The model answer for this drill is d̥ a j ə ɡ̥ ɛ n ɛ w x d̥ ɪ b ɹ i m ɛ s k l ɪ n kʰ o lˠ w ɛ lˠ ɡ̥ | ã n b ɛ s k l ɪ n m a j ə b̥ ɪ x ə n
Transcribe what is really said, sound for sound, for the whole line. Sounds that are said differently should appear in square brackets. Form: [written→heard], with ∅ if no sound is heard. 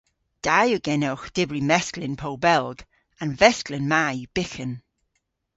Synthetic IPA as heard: d̥ a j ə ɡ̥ ɛ n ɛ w x d̥ ɪ b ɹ i m ɛ s k l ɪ n [kʰ→pʰ] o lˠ [w→b] ɛ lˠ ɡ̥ | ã n [b→v] ɛ s k l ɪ n m a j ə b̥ ɪ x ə n